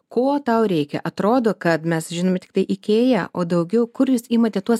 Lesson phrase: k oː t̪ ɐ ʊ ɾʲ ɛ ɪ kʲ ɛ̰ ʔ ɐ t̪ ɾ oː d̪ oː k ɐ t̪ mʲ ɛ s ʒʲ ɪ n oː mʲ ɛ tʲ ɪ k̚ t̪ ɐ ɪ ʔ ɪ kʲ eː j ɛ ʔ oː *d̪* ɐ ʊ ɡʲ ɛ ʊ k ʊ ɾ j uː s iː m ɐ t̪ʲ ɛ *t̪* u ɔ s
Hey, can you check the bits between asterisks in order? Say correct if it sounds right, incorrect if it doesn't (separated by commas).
correct, correct